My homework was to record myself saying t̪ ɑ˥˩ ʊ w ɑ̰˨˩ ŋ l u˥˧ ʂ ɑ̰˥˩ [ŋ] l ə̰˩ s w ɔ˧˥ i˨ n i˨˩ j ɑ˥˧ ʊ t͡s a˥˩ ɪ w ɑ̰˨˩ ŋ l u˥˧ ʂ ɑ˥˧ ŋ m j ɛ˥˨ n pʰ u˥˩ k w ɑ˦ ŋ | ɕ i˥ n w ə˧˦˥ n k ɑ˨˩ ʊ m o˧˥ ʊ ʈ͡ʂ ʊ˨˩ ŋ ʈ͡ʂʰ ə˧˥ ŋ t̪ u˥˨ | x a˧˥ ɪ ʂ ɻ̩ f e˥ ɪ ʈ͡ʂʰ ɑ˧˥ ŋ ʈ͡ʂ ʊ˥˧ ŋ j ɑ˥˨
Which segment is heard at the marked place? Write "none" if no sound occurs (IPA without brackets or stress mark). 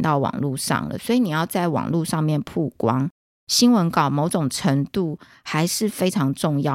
ŋ